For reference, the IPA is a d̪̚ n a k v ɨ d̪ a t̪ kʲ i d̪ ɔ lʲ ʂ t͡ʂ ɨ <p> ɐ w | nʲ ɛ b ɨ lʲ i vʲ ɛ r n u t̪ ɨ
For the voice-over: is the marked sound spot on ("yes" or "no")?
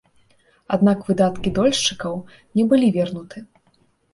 no